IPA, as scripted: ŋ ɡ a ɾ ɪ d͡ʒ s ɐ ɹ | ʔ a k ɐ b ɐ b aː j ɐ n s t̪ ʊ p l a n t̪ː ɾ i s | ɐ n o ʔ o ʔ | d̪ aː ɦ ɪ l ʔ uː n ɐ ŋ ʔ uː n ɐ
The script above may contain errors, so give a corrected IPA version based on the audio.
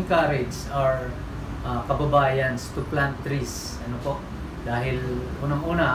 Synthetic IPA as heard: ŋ k a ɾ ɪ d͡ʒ s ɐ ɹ | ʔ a k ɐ b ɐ b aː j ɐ n s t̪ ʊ p l a n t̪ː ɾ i s | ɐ n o p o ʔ | d̪ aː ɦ ɪ l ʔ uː n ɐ ŋ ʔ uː n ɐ

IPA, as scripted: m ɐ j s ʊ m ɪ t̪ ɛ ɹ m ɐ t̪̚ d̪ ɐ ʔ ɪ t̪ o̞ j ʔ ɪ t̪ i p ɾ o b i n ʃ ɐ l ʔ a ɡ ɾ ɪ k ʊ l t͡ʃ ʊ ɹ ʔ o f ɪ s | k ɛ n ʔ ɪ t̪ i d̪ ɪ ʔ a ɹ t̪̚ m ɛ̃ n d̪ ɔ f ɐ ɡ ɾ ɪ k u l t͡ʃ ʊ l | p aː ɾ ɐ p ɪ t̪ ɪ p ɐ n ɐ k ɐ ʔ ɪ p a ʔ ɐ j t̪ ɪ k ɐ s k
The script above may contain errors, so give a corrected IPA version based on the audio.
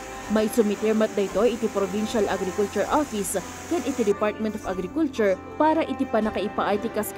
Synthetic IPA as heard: m ɐ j s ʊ m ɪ t̪ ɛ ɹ m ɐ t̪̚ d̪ ɐ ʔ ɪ t̪ o̞ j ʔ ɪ t̪ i p ɾ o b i n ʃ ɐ l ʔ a ɡ ɾ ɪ k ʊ l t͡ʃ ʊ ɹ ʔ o f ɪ s | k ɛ n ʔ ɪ t̪ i d̪ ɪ p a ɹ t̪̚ m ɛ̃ n t̪ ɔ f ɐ ɡ ɾ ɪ k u l t͡ʃ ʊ ɹ | p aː ɾ ɐ ʔ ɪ t̪ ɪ p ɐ n ɐ k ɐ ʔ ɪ p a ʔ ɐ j t̪ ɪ k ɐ s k

